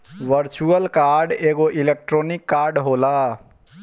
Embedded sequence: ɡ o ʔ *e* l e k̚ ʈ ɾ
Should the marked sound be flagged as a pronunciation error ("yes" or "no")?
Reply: yes